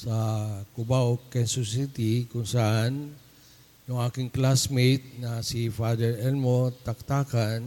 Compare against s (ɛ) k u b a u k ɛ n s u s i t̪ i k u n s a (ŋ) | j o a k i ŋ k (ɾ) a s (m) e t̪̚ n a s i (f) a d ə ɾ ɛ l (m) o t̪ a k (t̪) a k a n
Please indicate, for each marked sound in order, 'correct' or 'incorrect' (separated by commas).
incorrect, incorrect, incorrect, correct, correct, correct, correct